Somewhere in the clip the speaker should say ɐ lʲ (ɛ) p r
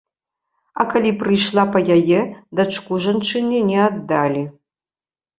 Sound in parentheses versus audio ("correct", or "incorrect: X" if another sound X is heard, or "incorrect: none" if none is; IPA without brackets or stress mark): incorrect: i